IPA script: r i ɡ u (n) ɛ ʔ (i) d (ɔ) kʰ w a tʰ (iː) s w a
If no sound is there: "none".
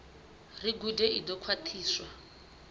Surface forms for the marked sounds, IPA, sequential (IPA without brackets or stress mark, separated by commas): d, i, ɔ, iː